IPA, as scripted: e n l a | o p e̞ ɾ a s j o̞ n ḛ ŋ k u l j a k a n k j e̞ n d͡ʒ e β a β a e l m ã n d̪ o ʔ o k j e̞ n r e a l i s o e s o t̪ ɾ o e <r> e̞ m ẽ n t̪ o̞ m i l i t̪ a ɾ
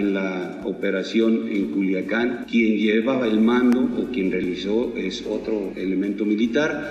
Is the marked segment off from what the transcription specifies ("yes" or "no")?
yes